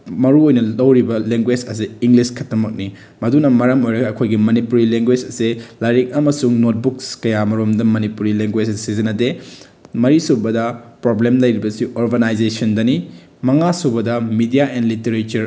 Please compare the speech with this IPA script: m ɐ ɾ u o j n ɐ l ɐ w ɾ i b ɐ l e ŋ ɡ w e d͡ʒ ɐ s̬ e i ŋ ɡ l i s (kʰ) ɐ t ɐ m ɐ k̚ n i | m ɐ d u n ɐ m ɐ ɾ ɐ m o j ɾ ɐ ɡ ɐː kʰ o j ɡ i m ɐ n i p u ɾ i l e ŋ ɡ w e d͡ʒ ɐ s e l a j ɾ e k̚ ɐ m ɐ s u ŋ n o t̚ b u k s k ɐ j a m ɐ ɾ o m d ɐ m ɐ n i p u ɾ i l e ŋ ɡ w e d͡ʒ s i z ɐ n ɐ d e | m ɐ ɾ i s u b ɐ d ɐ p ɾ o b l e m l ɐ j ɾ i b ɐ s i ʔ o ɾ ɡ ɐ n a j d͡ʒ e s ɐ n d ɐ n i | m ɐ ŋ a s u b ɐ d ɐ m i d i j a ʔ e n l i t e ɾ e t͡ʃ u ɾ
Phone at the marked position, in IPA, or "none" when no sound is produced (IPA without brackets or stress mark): kʰ